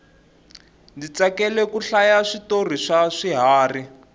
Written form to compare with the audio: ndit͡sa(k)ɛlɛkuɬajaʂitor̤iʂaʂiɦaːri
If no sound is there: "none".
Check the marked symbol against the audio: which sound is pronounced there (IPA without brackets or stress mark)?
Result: k